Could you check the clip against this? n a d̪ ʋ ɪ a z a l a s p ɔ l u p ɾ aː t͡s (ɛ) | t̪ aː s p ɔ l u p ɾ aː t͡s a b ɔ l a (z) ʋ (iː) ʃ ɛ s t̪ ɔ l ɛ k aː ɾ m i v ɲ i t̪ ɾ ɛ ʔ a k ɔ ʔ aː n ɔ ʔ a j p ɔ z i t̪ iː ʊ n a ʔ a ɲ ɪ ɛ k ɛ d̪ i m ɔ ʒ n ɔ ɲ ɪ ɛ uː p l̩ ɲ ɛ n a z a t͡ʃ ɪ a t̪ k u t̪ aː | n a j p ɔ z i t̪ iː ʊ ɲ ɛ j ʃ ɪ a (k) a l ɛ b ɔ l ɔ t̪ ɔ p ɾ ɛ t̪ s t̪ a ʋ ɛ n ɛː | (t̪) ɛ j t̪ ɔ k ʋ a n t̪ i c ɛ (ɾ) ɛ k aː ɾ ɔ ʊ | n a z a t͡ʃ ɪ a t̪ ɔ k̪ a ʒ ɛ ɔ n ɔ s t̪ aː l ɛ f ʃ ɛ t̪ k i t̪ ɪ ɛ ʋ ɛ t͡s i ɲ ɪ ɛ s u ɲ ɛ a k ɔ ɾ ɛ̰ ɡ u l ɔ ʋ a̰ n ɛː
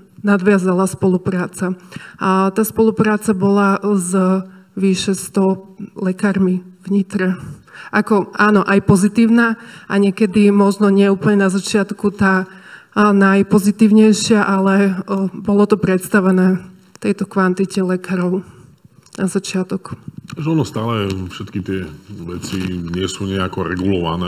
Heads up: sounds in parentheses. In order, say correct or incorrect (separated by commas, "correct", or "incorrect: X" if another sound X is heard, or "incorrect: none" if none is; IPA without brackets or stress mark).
incorrect: a, correct, incorrect: i, incorrect: ʔ, correct, incorrect: l